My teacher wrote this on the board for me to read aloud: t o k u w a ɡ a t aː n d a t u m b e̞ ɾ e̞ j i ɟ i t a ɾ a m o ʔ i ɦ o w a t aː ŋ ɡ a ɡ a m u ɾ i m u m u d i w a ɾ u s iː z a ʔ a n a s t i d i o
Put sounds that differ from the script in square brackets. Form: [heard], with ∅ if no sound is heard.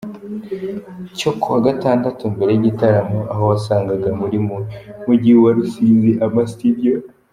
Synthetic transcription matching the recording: [c] o k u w a ɡ a t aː n d a t u m b e̞ ɾ e̞ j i ɟ i t a ɾ a m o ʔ [a] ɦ o w a [s] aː ŋ ɡ a ɡ a m u ɾ i m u m u [ɟ] i w a ɾ u s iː z [i] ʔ a [m] a s t i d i o

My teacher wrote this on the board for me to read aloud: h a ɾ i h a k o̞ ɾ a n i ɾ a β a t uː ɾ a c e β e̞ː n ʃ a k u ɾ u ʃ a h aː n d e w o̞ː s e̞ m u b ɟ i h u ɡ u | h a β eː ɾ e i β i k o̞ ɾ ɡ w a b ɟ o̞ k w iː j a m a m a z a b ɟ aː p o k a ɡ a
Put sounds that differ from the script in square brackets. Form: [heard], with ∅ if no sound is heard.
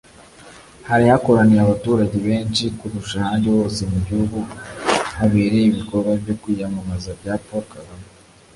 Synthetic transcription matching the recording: h a ɾ i h a k o̞ ɾ a n i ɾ a β a t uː ɾ a [ɟ] e β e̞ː n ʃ [i] k u ɾ u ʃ a h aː n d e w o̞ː s e̞ m u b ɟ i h u ɡ u | h a β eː ɾ e i β i k o̞ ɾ ɡ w a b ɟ o̞ k w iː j a m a m a z a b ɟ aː p o k a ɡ a

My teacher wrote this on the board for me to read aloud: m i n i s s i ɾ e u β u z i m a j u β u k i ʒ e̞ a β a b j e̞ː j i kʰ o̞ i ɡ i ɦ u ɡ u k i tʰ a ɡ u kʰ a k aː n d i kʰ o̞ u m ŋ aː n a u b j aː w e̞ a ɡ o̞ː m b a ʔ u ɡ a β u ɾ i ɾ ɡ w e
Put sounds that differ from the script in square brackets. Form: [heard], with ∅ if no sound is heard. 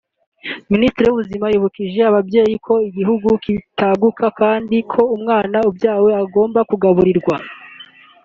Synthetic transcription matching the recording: m i n i s [t] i ɾ e u β u z i m a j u β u k i ʒ e̞ a β a b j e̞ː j i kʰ o̞ i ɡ i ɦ u ɡ u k i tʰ a ɡ u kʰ a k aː n d i kʰ o̞ u m ŋ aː n a u b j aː w e̞ a ɡ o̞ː m b a [k] u ɡ a β u ɾ i ɾ ɡ w [a]

